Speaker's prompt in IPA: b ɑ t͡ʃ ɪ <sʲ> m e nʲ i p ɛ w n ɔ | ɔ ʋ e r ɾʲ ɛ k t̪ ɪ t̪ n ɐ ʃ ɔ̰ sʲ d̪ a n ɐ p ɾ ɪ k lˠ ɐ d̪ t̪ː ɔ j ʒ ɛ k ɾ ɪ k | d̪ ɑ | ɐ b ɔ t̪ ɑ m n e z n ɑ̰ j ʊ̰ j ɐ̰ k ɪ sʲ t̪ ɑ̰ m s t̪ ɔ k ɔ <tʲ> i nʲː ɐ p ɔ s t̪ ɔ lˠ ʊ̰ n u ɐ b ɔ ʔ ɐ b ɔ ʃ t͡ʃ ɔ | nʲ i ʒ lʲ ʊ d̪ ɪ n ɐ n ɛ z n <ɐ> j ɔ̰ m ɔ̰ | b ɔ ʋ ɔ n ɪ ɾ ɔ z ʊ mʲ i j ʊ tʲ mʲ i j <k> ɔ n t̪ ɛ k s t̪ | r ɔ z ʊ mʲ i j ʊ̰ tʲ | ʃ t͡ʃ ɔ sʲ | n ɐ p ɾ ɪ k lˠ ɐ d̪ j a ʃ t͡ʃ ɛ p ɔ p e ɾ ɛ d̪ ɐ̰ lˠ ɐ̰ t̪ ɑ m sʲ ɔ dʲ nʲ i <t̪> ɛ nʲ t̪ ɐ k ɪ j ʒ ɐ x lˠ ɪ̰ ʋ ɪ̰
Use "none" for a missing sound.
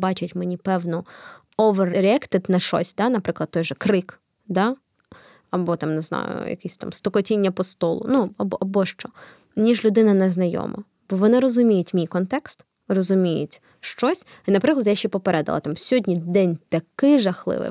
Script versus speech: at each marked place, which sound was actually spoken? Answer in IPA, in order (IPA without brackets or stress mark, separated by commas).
tʲ, tʲ, ɐ, k, d̪